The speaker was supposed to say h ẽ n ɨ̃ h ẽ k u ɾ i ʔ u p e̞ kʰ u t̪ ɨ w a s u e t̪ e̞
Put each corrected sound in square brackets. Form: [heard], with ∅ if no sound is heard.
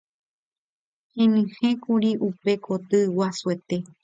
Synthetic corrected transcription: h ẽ n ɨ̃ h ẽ k u ɾ i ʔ u p e̞ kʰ [o] t̪ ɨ w a s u e t̪ e̞